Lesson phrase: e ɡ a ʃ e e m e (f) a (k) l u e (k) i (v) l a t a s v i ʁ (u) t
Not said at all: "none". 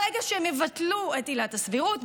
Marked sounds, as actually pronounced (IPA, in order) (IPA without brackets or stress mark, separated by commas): v, t, t, none, u